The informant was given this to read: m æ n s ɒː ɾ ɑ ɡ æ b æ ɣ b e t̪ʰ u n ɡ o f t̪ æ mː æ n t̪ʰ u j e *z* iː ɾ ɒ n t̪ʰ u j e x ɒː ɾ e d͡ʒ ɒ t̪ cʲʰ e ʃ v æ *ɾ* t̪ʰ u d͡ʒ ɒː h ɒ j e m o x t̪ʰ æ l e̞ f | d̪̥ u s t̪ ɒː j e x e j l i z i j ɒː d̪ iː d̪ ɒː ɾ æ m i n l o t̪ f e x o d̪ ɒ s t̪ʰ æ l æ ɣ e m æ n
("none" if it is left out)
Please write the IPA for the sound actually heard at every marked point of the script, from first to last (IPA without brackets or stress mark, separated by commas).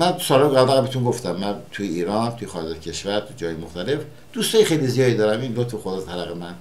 none, ɾ